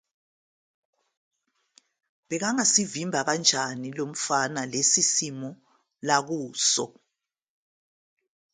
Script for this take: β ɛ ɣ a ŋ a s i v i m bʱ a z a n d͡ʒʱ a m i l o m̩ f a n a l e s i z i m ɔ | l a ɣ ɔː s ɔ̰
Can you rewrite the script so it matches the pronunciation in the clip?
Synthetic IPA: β ɛ ɣ a ŋ a s i v i m bʱ a ɣ a n d͡ʒʱ a n i l o m̩ f a n a l e s i s i m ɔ | l a ɣ uː s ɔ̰